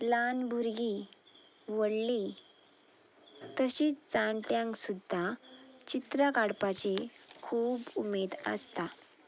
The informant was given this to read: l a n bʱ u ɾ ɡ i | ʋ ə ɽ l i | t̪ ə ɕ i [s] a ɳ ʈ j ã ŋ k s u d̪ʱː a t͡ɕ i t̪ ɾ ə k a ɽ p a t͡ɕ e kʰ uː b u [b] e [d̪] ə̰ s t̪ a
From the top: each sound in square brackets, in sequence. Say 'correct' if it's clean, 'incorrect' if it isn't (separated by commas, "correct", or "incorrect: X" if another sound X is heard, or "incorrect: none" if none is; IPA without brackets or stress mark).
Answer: incorrect: t͡s, incorrect: m, correct